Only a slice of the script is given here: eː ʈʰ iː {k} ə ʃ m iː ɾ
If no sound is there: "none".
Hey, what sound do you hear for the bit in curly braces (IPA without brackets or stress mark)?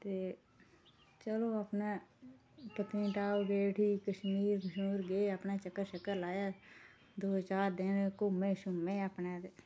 k